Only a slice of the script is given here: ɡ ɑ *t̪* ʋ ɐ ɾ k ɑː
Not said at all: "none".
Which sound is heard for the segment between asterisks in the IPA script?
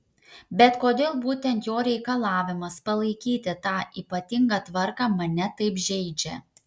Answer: t̪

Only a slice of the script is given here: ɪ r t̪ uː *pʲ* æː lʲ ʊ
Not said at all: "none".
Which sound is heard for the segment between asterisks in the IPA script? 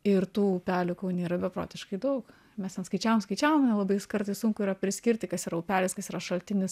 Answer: pʲ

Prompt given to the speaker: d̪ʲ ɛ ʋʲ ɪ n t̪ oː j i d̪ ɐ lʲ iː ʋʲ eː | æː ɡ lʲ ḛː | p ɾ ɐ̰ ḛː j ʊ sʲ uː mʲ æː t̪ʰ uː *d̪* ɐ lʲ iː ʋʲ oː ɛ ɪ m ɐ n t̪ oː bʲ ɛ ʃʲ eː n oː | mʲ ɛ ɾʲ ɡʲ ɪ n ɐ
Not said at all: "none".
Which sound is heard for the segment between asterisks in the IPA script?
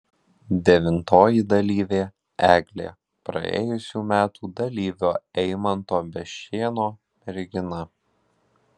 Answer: d̪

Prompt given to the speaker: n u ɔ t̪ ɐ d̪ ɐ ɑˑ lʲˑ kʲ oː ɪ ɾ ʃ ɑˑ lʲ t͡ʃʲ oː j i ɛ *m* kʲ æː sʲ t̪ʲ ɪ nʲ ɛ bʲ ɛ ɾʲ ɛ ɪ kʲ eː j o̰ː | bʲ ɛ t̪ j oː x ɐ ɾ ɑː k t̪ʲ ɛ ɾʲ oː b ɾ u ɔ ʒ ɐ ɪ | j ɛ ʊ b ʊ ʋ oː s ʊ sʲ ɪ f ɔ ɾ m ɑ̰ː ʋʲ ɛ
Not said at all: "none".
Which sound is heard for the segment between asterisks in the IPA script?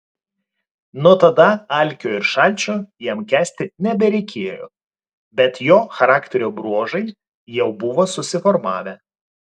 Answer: m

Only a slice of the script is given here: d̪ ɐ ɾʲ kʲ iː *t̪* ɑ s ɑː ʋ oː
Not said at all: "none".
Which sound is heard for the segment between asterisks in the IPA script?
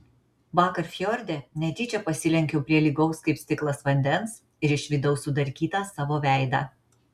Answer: t̪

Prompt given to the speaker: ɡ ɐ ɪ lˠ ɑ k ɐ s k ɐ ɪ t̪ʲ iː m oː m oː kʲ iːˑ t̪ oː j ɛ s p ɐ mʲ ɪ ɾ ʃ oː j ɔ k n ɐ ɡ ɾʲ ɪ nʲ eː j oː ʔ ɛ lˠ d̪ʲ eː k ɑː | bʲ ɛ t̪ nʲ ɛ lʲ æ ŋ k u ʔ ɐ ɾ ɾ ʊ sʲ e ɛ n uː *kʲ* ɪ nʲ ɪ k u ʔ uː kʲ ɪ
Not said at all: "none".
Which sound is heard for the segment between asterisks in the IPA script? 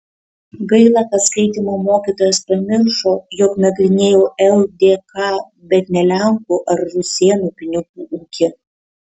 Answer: pʲ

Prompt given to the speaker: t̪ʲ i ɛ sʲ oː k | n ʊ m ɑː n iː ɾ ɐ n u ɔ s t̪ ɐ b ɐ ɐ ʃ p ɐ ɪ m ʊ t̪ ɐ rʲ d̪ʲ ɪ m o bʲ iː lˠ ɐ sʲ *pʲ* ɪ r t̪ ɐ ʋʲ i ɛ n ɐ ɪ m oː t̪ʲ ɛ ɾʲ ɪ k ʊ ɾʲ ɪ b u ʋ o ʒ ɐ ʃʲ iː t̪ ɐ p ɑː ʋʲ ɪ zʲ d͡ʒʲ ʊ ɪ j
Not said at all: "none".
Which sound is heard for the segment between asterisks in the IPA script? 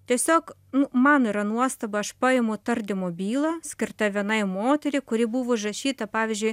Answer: kʲ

